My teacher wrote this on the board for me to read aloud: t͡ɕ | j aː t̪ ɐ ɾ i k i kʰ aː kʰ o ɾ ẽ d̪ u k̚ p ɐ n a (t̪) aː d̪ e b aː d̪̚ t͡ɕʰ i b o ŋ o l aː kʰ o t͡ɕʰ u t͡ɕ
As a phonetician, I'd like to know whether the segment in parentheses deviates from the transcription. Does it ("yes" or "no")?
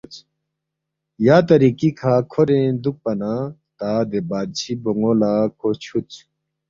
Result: no